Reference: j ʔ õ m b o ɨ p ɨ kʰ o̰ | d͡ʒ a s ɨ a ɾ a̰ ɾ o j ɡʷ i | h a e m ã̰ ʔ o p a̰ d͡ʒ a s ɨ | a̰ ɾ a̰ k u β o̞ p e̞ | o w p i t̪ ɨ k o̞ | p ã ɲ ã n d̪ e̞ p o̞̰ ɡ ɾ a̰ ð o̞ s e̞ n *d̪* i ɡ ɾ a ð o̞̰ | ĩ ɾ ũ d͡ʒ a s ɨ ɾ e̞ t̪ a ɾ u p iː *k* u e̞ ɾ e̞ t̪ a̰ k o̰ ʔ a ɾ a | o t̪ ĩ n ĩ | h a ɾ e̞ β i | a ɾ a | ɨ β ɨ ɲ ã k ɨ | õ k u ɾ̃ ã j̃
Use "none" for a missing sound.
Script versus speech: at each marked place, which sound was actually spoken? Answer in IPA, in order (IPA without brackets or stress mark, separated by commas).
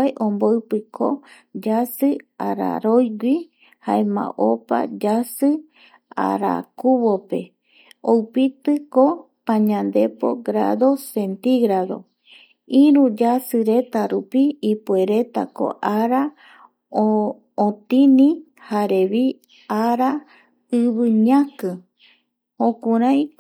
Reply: t̪, p